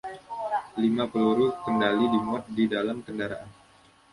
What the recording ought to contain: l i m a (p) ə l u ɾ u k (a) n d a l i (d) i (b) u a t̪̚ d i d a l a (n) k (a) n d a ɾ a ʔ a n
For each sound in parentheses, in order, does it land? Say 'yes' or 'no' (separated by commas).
yes, no, yes, no, no, no